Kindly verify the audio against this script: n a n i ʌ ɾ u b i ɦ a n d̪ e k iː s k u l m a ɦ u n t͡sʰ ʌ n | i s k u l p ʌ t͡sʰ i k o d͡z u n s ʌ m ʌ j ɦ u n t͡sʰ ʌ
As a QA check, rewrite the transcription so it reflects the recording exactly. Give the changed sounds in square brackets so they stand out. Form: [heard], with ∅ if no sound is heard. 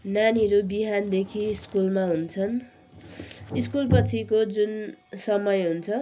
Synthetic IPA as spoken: n a n i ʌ ɾ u b i ɦ a n d̪ e [kʰ] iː s k u l m a ɦ u n t͡sʰ ʌ n | i s k u l p ʌ t͡sʰ i k o d͡z u n s ʌ m ʌ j ɦ u n t͡sʰ ʌ